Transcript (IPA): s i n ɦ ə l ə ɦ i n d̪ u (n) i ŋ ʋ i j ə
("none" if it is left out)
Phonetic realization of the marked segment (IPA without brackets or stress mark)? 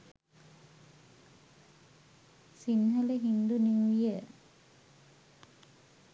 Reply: n